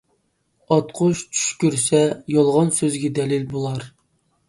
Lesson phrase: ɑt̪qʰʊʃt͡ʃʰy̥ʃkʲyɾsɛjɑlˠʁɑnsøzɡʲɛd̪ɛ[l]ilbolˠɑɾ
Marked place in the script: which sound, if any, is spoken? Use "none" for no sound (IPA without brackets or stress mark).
l